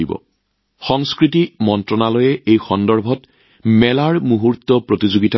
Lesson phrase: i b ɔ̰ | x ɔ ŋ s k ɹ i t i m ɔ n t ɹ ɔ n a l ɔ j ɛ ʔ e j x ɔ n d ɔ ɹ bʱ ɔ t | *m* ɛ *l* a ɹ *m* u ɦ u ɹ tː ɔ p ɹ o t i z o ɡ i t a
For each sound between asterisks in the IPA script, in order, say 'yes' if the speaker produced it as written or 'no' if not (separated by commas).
yes, yes, yes